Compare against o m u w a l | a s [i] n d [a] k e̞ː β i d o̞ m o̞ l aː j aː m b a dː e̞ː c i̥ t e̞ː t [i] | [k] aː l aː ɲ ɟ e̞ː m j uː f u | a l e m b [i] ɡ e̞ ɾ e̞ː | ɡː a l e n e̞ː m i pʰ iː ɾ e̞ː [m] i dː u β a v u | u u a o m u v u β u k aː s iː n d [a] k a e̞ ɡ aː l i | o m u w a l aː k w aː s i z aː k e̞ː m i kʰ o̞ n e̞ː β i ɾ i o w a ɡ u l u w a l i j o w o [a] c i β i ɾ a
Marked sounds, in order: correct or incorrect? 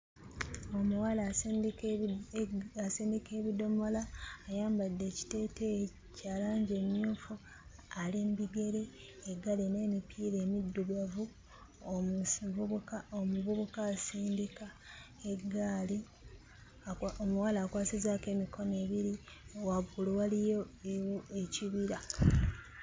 incorrect: iː, incorrect: i, incorrect: e, incorrect: c, correct, correct, incorrect: i, incorrect: e

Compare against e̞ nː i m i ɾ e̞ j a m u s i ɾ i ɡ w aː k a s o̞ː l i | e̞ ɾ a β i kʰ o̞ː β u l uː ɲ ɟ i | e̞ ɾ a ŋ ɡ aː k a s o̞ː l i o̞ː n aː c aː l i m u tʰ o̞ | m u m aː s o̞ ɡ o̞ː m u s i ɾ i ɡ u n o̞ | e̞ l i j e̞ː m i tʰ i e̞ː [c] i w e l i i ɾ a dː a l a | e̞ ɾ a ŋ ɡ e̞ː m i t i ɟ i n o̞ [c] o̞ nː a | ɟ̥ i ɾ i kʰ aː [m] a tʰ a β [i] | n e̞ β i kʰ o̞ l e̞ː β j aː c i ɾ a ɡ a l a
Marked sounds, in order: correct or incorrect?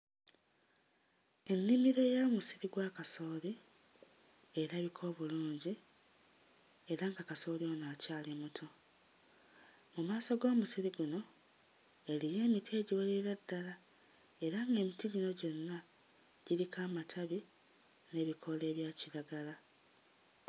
incorrect: ɟ, incorrect: ɟ, correct, correct

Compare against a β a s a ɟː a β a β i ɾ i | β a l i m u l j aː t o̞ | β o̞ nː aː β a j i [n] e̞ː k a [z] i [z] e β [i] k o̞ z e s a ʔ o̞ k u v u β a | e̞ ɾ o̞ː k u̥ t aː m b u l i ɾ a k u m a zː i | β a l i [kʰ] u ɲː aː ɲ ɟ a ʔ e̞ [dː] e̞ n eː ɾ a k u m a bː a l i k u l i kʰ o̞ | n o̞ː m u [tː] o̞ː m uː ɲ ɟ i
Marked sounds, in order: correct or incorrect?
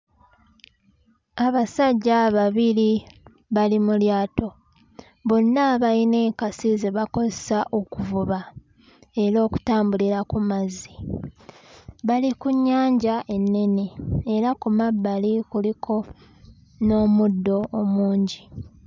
correct, incorrect: s, correct, incorrect: a, incorrect: k, incorrect: nː, incorrect: dː

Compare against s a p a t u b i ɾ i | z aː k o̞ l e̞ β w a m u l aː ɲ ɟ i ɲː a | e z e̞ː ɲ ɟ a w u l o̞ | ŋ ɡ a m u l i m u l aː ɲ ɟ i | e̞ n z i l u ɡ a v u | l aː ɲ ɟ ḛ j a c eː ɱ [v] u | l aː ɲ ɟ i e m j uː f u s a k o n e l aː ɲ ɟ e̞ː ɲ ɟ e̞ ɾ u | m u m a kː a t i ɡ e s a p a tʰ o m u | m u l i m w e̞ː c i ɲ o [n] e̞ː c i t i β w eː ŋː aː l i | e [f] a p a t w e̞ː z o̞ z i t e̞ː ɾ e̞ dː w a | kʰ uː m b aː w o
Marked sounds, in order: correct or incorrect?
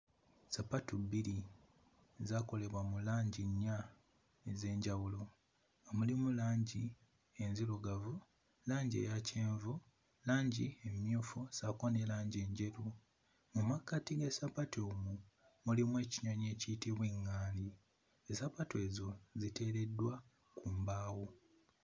correct, incorrect: ɲ, incorrect: s

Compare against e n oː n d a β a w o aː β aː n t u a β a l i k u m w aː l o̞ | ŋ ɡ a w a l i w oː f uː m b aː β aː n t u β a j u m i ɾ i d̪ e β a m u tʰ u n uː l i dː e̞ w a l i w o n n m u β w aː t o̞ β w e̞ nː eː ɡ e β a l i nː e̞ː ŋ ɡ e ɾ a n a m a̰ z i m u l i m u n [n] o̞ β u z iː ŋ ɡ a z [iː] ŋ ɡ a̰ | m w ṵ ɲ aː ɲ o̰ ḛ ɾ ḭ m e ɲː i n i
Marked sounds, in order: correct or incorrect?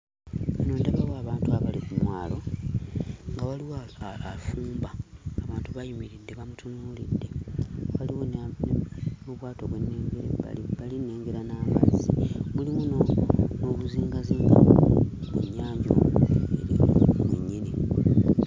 correct, correct

